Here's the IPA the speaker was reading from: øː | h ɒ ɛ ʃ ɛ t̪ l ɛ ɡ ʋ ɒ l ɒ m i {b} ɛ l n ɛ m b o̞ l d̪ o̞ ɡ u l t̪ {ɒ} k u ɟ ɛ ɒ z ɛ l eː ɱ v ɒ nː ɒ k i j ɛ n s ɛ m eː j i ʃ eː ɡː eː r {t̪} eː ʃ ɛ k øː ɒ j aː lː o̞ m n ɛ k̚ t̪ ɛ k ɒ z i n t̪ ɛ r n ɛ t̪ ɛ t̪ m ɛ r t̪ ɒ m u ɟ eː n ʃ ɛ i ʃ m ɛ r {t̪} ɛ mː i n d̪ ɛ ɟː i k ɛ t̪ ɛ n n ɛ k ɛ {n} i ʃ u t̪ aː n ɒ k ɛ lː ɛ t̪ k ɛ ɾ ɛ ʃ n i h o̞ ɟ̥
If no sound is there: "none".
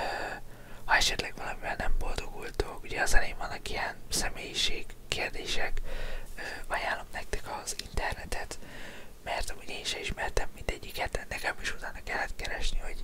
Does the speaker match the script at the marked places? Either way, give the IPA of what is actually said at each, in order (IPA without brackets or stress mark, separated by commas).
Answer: v, o, d̪, t̪, m